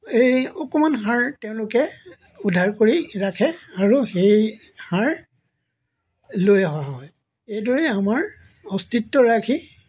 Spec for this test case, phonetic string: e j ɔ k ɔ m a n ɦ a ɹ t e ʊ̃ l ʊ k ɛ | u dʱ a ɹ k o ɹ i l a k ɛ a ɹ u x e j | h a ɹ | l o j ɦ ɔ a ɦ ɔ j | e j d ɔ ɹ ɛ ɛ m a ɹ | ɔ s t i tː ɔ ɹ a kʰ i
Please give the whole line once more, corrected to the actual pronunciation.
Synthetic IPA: e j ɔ k ɔ m a n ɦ a ɹ t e ʊ̃ l ʊ k ɛ | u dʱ a ɹ k o ɹ i ɹ a kʰ ɛ a ɹ u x e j | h a ɹ | l o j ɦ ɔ a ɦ ɔ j | e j d ɔ ɹ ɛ a m a ɹ | ɔ s t i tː ɔ ɹ a kʰ i